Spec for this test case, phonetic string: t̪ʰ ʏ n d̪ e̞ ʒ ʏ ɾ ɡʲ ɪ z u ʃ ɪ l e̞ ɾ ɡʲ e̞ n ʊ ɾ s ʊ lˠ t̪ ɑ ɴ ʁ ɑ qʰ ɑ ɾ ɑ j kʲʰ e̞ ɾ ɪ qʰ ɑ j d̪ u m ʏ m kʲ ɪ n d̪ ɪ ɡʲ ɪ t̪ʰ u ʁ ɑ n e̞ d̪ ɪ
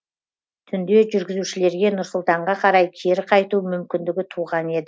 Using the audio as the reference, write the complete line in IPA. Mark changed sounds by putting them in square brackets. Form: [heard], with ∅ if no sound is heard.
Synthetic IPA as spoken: t̪ʰ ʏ n d̪ e̞ ʒ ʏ ɾ ɡʲ ɪ z u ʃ ɪ l e̞ ɾ ɡʲ e̞ n ʊ ɾ s ʊ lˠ t̪ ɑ ɴ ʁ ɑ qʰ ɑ ɾ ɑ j kʲʰ e̞ ɾ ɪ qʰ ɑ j [t̪] u m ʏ m kʲ ɪ n d̪ ɪ ɡʲ ɪ t̪ʰ u ʁ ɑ n e̞ d̪ ɪ